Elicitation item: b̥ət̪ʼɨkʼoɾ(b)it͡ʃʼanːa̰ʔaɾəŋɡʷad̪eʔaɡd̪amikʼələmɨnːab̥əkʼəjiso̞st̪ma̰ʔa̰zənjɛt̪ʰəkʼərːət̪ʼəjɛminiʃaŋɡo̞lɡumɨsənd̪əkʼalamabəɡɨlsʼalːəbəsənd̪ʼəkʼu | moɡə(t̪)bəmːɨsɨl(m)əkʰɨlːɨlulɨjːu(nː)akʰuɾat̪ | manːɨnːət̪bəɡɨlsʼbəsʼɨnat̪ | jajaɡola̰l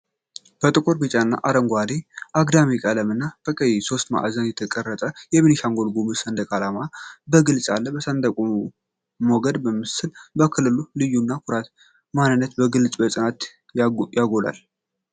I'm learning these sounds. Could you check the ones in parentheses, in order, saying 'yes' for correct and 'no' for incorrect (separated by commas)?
yes, no, no, yes